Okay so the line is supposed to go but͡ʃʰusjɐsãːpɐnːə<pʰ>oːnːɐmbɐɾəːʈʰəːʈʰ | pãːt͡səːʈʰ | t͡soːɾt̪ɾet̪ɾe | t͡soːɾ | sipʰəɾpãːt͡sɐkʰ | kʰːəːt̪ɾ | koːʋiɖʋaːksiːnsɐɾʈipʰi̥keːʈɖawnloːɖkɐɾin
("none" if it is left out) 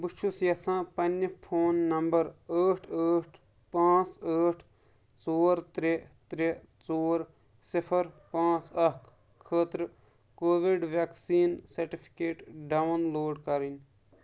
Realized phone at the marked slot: pʰ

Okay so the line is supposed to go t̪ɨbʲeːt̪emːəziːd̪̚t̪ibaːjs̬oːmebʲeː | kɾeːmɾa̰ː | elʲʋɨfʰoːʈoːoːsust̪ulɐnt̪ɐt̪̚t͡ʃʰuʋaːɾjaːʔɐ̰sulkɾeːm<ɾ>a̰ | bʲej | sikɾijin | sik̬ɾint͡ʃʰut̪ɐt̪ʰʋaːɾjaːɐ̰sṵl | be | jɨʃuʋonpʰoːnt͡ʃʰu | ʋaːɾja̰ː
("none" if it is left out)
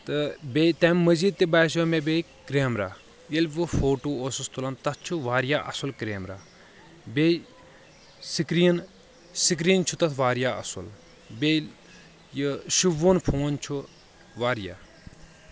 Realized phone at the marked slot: ɾ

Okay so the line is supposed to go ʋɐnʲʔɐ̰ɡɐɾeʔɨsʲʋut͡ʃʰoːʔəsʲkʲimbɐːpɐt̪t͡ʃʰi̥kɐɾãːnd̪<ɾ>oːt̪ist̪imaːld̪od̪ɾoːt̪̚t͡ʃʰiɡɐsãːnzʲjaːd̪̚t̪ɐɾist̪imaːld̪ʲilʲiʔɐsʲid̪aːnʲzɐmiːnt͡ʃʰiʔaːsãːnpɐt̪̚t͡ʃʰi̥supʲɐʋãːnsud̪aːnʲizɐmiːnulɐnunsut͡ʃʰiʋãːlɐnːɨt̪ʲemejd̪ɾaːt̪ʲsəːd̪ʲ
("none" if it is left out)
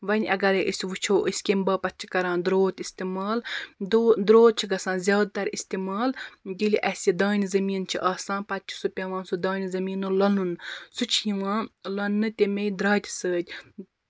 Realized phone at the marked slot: ɾ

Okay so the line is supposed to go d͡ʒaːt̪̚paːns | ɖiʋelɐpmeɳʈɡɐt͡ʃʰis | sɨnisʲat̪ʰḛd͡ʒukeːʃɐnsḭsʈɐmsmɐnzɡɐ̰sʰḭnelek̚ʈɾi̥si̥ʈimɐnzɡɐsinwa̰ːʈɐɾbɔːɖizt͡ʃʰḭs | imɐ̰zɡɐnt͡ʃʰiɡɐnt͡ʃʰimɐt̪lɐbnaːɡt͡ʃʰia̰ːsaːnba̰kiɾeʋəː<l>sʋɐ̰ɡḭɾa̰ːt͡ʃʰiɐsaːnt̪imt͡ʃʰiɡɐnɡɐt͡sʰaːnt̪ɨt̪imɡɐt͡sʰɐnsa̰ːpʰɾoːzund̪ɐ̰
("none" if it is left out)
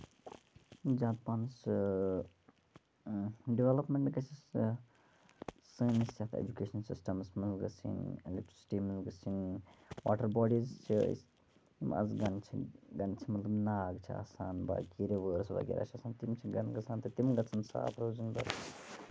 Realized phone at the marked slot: ɾ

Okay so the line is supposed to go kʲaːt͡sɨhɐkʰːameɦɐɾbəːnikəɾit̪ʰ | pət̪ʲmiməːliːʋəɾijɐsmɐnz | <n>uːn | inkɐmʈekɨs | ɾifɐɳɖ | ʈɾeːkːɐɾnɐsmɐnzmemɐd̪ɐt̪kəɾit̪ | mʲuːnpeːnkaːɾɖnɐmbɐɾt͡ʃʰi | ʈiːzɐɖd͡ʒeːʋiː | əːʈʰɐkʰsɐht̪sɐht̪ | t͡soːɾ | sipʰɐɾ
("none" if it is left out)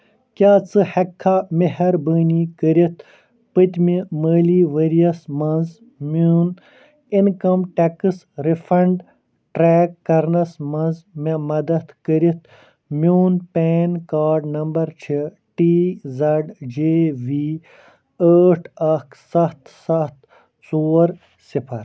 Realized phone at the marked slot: m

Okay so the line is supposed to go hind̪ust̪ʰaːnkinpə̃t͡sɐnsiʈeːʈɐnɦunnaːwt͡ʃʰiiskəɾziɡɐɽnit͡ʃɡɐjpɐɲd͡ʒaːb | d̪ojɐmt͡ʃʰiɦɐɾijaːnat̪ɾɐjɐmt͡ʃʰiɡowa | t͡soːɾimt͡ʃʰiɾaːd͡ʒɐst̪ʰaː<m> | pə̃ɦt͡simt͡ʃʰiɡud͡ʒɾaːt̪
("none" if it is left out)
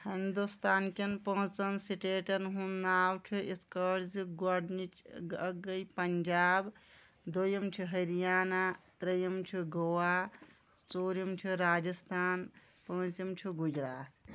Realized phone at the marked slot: n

